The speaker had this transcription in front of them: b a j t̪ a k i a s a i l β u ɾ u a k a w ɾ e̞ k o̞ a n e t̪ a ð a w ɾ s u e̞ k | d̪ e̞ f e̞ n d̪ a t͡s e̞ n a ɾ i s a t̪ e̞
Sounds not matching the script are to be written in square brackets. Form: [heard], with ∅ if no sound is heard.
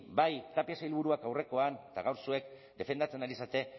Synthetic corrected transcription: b a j t̪ a [p] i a s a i l β u ɾ u a k a w [r] e̞ k o̞ a n e t̪ a [ɣ] a w ɾ s u e̞ k | d̪ e̞ f e̞ n d̪ a t͡s e̞ n a ɾ i s a t̪ e̞